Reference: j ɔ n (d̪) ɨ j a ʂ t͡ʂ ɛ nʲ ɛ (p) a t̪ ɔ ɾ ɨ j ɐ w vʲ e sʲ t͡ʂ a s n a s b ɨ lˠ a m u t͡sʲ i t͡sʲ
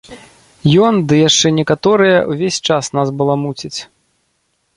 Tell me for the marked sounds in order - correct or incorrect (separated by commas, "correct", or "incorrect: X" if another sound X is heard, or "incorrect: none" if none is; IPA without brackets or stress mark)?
correct, incorrect: k